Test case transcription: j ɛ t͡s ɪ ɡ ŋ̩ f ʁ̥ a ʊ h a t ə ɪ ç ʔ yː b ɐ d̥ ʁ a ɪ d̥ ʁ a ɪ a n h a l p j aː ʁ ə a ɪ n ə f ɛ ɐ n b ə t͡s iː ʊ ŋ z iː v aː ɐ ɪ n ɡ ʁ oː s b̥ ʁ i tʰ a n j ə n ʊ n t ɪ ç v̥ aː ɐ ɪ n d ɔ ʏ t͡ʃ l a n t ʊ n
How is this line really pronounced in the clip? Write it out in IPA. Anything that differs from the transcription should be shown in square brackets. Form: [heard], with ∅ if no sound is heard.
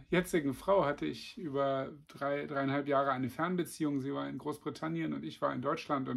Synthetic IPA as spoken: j ɛ t͡s ɪ ɡ ŋ̩ f ʁ̥ a ʊ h a t ə ɪ ç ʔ yː b ɐ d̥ ʁ a ɪ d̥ ʁ a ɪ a n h a l p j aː ʁ ə a ɪ n ə f ɛ ɐ n b ə t͡s iː ʊ ŋ z iː v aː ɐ ɪ n ɡ ʁ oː s b̥ ʁ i tʰ a n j ə n ʊ n t ɪ ç v̥ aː ɐ ɪ n d ɔ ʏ t͡ʃ l a n t ʊ n